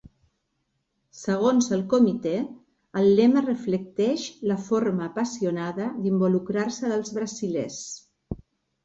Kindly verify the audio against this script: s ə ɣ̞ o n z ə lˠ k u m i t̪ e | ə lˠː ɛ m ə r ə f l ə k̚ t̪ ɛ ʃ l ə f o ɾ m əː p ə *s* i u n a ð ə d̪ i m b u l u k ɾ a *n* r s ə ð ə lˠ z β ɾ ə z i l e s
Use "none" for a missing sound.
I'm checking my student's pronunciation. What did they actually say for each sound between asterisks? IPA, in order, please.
s, none

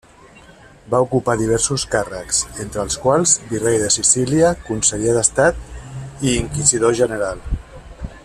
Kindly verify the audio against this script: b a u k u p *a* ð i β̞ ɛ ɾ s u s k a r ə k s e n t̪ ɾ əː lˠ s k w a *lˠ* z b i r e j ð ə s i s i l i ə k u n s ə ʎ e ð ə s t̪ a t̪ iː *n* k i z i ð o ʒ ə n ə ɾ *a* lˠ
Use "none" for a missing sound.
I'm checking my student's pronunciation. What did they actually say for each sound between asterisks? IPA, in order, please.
a, lˠ, ŋ, a

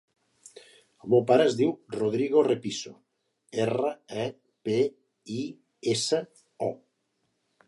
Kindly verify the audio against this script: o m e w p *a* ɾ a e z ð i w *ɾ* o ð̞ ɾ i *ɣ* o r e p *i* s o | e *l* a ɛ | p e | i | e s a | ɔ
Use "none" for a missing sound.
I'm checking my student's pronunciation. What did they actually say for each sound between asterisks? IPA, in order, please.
a, r, ɣ, i, r

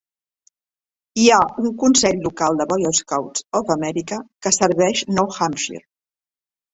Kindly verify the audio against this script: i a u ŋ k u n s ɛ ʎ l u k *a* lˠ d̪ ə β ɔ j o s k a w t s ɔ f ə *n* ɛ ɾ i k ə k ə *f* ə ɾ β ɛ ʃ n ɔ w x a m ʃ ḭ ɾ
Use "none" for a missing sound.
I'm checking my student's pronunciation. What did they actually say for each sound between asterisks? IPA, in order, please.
a, m, s

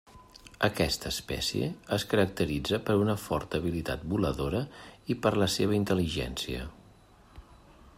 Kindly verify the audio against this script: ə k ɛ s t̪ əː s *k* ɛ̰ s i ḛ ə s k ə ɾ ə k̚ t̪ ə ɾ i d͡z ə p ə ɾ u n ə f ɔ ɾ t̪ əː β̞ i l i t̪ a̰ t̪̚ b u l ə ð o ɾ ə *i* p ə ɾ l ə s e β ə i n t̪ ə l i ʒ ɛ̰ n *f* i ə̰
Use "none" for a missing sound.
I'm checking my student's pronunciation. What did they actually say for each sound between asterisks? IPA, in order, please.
p, i, s

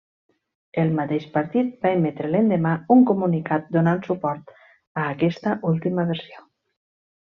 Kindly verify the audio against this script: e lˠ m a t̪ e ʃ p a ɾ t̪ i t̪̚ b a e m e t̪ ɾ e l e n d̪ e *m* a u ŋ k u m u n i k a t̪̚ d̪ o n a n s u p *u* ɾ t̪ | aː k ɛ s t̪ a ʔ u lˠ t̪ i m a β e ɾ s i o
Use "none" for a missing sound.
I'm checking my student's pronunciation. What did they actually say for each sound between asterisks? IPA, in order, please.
m, ɔ

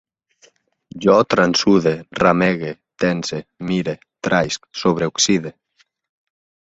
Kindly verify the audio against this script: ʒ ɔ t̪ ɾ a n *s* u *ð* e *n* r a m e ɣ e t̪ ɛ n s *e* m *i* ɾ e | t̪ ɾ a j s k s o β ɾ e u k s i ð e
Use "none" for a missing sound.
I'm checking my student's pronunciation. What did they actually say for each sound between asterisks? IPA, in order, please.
s, ð, none, e, i

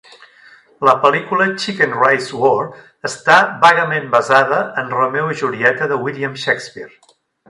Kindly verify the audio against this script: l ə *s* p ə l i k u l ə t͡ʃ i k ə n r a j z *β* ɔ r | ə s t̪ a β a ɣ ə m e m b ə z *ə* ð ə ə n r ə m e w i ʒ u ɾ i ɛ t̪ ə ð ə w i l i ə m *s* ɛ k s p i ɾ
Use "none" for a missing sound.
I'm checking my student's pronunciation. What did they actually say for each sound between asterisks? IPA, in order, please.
none, w, a, ʃ

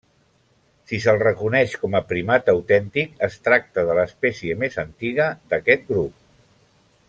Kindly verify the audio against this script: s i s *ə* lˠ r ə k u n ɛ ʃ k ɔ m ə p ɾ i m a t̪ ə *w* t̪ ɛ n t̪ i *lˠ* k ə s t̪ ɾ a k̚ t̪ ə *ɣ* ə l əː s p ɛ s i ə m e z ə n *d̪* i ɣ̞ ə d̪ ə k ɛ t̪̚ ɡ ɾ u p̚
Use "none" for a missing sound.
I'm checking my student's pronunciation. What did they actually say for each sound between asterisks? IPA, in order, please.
ə, w, none, ð, t̪

